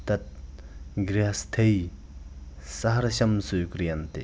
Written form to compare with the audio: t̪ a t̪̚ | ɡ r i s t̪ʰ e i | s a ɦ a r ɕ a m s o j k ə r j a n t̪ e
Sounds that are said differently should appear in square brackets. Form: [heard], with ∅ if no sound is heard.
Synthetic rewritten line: t̪ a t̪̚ | ɡ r [a] s t̪ʰ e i | s a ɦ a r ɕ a m s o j k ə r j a n t̪ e